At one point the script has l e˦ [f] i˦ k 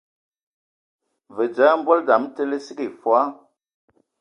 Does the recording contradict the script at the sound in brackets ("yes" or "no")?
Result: yes